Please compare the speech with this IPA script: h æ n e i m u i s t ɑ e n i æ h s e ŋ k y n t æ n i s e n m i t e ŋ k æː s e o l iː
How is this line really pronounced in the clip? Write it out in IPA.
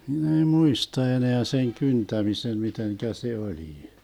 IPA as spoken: h i n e i m u i s t ɑ e n e æ s e ŋ k y n t æ m i s e n m i t e ŋ k æ s e o l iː